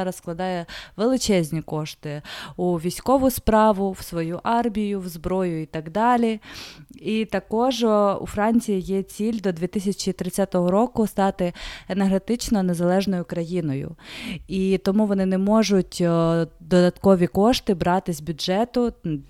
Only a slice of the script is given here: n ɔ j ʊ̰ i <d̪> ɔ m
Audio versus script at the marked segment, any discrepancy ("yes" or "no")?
yes